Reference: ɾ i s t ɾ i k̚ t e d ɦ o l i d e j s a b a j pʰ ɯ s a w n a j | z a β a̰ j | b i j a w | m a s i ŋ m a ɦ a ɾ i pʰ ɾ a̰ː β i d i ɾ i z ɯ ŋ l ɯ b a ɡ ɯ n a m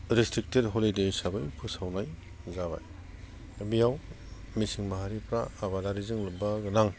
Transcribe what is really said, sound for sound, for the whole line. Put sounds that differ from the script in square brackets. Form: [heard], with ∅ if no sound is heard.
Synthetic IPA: ɾ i s t ɾ i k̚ t e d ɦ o l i d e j s a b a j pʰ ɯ s a w n a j | z a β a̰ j | b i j a w | m [i] s i ŋ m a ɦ a ɾ i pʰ ɾ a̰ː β [a] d [a] ɾ i z ɯ ŋ l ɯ b a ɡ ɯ n a [ŋ]